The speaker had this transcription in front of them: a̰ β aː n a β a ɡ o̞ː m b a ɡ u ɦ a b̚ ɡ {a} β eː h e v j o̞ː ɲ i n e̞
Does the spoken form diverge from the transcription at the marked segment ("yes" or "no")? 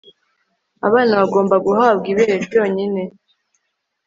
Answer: yes